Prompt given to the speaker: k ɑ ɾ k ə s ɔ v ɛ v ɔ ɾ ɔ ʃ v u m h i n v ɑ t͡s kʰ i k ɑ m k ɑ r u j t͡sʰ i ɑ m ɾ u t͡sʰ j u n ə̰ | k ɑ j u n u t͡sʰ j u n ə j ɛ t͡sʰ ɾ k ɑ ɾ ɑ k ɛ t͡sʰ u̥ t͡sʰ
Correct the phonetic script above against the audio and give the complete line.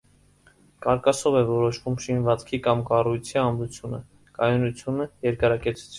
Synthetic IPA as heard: k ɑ ɾ k ɑ s ɔ v ɛ v ɔ ɾ ɔ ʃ v u m ʃ i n v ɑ t͡s kʰ i k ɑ m k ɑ r u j t͡sʰ i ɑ m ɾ u t͡sʰ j u n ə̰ | k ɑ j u n u t͡sʰ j u n ə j ɛ ɾ k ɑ ɾ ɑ k ɛ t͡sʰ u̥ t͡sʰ